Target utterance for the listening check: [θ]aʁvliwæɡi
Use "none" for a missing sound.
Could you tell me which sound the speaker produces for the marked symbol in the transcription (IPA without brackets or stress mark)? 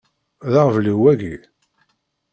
ð